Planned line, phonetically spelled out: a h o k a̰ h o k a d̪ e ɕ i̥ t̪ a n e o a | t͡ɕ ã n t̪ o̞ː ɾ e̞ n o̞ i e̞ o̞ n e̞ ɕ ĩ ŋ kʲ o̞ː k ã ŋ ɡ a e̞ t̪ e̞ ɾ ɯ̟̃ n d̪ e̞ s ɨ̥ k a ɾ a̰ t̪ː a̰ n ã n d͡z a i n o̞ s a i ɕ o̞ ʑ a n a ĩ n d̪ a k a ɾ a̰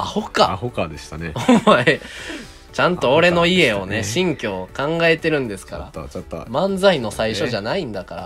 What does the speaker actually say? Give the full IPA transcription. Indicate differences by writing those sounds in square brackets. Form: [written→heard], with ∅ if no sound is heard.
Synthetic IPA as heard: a h o k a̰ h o k a d̪ e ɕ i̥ t̪ a n e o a | t͡ɕ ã n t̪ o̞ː ɾ e̞ n o̞ i e̞ o̞ n e̞ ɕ ĩ ŋ kʲ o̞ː k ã ŋ ɡ a e̞ t̪ e̞ ɾ ɯ̟̃ n d̪ e̞ s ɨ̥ k a ɾ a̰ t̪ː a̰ [n→m] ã n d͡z a i n o̞ s a i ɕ o̞ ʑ a n a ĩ n d̪ a k a ɾ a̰